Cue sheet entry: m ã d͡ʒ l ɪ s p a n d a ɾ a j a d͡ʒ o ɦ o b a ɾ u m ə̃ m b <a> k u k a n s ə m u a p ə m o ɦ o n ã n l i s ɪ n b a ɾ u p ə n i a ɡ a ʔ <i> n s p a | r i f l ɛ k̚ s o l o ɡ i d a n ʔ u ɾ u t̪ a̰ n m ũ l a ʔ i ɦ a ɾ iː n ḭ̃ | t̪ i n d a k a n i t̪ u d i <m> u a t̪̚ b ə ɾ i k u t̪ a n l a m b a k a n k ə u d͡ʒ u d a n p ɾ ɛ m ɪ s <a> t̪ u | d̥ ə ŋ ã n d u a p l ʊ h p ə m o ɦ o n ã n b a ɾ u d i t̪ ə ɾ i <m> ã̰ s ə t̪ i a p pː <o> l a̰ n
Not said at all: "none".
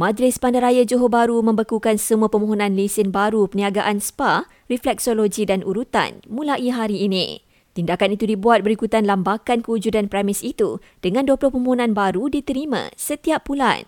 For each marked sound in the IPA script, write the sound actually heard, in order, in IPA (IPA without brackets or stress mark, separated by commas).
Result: ə, a, b, i, m, u